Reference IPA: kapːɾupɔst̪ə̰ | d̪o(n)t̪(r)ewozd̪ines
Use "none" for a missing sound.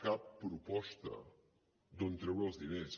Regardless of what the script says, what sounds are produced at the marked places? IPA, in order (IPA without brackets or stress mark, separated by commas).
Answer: n, ɾ